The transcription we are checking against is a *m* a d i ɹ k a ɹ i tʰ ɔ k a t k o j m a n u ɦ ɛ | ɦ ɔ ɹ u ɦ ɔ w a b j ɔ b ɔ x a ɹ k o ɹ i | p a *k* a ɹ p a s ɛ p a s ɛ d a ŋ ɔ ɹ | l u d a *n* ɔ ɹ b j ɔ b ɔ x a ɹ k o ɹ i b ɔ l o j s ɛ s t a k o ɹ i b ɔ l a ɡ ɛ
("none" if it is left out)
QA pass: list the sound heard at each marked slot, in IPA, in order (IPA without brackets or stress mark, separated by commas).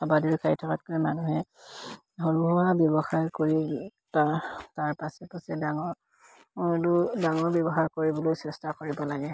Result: b, t, ŋ